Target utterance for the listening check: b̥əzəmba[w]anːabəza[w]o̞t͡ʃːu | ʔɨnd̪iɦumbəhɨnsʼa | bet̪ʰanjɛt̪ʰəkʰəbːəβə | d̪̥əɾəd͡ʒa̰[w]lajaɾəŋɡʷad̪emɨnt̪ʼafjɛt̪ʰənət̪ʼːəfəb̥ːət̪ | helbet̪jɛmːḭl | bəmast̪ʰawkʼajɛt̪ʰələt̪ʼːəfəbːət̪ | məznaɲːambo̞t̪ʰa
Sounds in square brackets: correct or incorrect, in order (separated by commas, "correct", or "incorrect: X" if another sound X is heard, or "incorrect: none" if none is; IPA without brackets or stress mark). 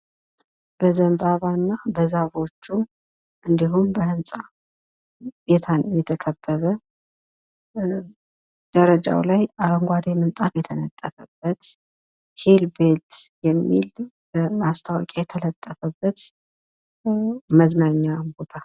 incorrect: β, incorrect: β, correct